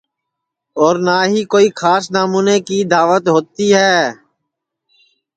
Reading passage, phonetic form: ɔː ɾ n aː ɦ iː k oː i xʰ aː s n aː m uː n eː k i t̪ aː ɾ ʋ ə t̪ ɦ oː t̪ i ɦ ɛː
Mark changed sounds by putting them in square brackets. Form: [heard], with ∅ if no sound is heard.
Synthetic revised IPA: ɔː ɾ n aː ɦ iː k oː i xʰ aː s n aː m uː n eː k i [d̪] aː [∅] ʋ ə t̪ ɦ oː t̪ i ɦ ɛː